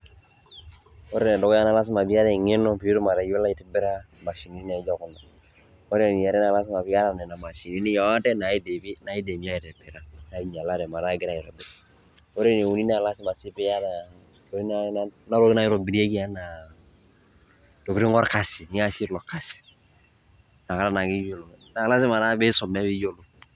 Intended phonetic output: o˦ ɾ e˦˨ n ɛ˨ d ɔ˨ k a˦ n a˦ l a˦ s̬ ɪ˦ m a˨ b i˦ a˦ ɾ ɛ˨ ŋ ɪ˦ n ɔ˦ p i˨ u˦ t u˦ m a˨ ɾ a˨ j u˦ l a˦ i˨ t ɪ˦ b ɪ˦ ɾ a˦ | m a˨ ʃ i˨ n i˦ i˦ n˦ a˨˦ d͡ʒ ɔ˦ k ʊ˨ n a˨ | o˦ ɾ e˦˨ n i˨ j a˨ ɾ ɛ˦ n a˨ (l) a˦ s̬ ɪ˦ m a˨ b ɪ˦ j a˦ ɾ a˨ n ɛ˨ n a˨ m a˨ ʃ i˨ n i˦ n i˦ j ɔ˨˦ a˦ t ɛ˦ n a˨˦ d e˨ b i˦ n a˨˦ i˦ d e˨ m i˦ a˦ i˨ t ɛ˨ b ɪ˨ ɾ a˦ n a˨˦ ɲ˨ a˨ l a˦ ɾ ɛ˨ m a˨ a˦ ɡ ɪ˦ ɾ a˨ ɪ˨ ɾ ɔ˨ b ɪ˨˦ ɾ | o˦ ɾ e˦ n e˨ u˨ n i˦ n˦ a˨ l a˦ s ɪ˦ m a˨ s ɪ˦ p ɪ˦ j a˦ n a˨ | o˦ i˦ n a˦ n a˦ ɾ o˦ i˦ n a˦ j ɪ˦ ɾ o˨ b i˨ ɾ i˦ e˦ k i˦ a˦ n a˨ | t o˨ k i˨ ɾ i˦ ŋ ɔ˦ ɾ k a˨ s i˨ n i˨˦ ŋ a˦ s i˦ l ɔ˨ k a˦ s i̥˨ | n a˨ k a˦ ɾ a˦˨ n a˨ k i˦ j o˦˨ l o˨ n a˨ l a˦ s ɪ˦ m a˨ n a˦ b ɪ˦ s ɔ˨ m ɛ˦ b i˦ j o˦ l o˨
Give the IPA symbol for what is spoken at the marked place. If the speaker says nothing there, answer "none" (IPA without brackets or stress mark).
l